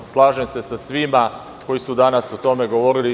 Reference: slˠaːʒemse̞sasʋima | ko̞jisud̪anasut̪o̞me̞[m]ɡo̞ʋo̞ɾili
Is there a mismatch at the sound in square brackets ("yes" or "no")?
yes